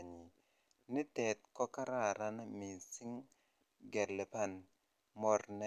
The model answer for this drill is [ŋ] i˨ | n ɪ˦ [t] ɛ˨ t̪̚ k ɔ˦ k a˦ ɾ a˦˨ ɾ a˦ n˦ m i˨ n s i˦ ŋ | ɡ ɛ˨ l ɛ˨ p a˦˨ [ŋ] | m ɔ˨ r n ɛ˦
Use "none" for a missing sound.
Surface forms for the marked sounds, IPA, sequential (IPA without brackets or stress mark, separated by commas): ɲ, t, n